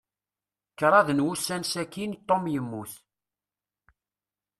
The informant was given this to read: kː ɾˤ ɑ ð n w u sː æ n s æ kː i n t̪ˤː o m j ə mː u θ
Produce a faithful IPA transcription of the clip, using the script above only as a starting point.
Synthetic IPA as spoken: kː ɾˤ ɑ ð n w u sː æ n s æ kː i n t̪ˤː o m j ə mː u θ